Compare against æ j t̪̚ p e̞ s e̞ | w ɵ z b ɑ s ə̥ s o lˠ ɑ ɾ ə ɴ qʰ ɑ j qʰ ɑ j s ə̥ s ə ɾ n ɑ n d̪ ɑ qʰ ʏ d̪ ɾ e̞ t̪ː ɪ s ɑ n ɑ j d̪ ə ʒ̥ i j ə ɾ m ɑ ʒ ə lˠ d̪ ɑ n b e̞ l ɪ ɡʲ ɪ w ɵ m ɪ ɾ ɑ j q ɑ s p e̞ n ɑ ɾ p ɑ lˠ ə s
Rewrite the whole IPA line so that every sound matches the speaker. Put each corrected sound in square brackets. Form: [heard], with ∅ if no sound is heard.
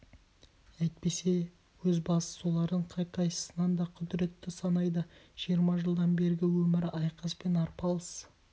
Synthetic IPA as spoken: æ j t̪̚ p e̞ s e̞ | w ɵ z b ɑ s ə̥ s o lˠ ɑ ɾ ə ɴ qʰ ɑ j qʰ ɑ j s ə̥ s ə [∅] n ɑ n d̪ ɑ qʰ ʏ d̪ ɾ e̞ t̪ː ɪ s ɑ n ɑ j d̪ ə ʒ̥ i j ə ɾ m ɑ ʒ ə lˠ d̪ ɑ n b e̞ [ɾ] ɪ ɡʲ ɪ w ɵ m ɪ ɾ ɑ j q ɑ s p e̞ n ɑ ɾ p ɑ lˠ ə s